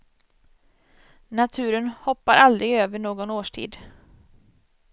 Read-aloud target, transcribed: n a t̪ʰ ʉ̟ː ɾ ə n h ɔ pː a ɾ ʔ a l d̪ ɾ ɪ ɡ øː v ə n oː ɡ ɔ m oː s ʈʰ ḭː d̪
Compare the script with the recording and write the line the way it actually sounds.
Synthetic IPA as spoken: n a t̪ʰ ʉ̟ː ɾ ə n h ɔ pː a ɾ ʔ a l d̪ ɾ ɪ ɡ øː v ə ɳ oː ɡ ɔ n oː ʂ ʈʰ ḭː d̪